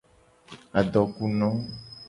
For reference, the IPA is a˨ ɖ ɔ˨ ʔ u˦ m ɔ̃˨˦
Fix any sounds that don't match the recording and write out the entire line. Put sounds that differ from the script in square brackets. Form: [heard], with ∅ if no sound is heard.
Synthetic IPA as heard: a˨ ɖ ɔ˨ [k] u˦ [n] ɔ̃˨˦